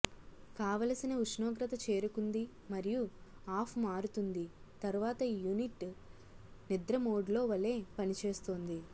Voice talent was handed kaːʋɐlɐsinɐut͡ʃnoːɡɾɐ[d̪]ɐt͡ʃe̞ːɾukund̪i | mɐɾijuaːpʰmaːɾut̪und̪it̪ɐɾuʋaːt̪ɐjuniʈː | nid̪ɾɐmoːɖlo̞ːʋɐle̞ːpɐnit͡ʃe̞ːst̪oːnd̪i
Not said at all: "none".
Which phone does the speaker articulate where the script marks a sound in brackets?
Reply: t̪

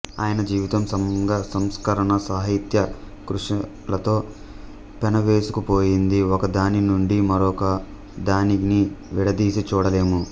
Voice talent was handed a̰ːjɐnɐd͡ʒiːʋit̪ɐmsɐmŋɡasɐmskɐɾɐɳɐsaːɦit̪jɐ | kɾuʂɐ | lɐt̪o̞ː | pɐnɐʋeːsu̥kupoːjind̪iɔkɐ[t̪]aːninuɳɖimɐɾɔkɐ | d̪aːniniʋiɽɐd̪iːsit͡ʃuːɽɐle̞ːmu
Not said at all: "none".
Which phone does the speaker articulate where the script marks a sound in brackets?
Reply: d̪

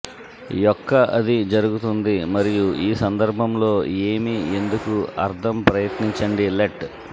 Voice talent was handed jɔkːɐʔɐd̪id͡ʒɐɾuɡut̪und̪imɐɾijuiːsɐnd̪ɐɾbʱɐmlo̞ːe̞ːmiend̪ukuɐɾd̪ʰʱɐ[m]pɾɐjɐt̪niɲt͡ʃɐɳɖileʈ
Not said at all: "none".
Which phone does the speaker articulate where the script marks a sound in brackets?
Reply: m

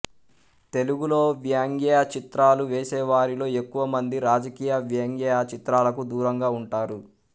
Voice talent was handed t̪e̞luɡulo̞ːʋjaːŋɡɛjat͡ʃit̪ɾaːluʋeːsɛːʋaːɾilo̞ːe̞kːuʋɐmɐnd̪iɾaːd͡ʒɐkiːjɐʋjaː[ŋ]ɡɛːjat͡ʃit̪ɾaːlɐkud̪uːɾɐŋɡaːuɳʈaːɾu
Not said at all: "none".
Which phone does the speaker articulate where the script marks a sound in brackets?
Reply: ŋ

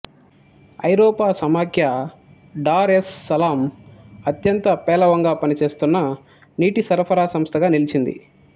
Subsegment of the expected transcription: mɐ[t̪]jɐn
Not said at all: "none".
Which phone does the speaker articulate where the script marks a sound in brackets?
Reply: t̪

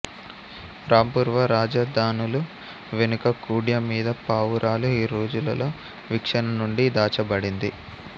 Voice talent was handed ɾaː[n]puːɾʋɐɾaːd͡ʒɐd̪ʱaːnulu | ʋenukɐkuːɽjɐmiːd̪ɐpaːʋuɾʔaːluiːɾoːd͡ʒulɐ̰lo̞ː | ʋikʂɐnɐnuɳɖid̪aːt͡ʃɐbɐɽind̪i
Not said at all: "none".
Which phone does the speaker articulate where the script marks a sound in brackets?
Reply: m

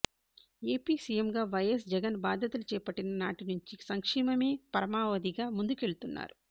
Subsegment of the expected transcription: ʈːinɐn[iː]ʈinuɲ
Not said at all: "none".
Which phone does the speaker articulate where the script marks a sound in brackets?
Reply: aː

